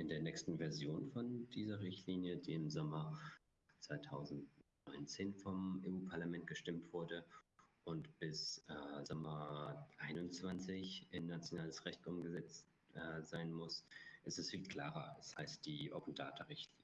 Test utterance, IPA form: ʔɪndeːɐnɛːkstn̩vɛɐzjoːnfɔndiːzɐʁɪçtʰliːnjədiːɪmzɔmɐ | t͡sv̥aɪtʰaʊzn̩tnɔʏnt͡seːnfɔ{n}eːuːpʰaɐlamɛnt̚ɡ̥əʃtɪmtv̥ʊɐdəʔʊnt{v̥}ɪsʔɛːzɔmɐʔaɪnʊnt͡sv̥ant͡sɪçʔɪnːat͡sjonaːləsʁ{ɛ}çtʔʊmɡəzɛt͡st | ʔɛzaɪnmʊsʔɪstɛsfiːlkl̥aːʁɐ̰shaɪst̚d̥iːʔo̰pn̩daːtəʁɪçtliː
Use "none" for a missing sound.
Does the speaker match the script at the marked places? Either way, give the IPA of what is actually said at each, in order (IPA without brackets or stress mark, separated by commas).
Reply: m, b̥, ɛ